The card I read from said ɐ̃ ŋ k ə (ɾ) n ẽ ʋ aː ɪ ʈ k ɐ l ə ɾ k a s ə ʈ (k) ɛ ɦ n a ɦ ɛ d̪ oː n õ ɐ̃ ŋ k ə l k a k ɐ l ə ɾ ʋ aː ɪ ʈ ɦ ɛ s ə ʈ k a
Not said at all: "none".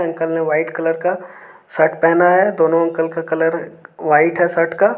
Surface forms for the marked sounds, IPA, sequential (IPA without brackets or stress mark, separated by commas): l, p